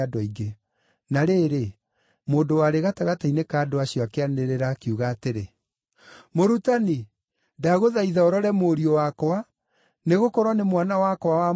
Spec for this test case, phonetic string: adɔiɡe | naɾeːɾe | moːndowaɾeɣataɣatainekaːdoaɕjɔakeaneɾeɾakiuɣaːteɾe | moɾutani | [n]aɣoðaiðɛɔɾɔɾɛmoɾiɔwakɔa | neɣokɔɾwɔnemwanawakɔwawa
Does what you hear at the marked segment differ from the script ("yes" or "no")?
yes